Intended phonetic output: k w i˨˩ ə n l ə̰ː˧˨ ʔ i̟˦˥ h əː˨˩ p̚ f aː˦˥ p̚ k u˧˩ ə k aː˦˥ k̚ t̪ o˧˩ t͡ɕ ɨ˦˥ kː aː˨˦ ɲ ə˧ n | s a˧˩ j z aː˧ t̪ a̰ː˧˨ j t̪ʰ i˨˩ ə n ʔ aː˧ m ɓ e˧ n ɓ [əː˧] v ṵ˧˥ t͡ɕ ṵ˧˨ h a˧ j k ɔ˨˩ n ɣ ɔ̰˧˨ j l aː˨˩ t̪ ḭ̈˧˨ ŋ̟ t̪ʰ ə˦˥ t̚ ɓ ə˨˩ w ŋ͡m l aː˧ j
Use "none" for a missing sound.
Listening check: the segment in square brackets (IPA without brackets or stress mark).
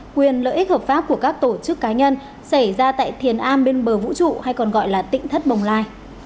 əː˨˩